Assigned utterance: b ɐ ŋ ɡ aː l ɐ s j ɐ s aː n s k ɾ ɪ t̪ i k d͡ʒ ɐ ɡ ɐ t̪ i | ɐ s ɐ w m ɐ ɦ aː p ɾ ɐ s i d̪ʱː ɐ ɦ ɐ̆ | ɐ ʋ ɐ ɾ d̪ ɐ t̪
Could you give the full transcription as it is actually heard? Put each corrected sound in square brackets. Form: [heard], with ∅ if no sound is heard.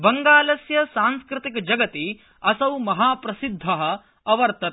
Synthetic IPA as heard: b ɐ ŋ ɡ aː l ɐ s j ɐ s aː n s k ɾ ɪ t̪ i k d͡ʒ ɐ ɡ ɐ t̪ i | ɐ s ɐ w m ɐ ɦ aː p ɾ ɐ s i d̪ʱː ɐ ɦ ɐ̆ | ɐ ʋ ɐ ɾ [t̪] ɐ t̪